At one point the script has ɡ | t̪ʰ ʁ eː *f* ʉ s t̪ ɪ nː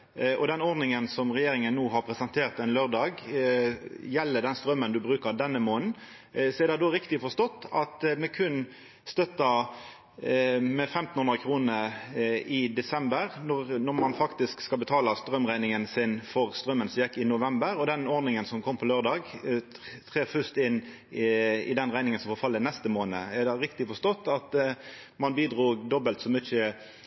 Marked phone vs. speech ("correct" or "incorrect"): correct